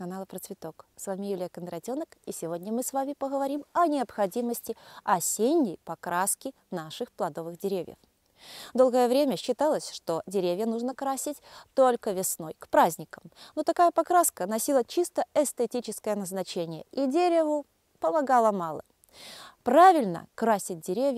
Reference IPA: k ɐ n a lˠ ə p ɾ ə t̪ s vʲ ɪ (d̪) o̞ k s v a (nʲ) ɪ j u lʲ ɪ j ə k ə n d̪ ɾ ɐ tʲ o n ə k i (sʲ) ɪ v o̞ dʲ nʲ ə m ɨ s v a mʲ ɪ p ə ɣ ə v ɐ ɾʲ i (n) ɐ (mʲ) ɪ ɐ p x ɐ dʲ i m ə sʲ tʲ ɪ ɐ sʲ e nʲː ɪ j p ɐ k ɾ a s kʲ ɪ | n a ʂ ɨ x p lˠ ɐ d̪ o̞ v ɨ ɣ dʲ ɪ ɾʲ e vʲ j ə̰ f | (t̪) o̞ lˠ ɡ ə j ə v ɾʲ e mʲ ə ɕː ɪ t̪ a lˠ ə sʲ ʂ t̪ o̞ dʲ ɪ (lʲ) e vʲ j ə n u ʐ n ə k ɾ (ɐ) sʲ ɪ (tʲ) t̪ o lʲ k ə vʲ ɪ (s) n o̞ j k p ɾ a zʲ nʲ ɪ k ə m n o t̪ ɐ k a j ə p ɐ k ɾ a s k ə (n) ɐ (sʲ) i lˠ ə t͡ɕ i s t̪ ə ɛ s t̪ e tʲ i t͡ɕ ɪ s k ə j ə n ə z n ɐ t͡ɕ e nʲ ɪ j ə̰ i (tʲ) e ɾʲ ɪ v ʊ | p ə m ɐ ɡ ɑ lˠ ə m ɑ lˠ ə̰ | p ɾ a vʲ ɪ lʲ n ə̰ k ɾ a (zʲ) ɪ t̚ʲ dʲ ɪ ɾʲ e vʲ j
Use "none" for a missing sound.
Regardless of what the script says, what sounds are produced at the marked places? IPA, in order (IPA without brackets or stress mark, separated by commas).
t̪, mʲ, sʲ, m, nʲ, d̪, ɾʲ, a, tʲ, s, n, sʲ, dʲ, sʲ